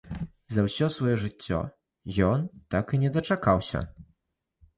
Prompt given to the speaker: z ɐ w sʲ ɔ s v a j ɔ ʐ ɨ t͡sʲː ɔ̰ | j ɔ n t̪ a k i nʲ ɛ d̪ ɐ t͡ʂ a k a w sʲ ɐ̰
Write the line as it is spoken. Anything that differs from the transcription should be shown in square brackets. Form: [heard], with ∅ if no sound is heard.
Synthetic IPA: z ɐ w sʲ ɔ s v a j ɔ ʐ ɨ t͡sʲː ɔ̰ | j ɔ n t̪ a k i nʲ ɛ d̪ ɐ t͡ʂ a k a w sʲ ɐ̰